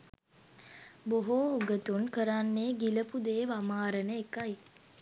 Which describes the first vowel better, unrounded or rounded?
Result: rounded